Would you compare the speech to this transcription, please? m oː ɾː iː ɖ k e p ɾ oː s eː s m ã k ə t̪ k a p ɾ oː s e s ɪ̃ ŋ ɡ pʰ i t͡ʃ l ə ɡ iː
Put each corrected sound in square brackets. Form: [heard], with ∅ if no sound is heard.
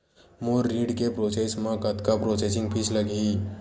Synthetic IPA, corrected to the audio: m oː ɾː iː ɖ k e p ɾ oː s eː s m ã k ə t̪ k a p ɾ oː s e s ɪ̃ ŋ ɡ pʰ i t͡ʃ l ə ɡ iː